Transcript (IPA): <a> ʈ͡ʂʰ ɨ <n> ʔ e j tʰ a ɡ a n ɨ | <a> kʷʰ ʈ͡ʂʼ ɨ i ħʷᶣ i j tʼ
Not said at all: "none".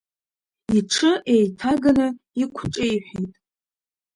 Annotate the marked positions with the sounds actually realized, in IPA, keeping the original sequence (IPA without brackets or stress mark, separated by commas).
i, none, i